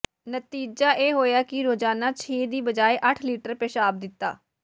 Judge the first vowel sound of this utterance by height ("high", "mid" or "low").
mid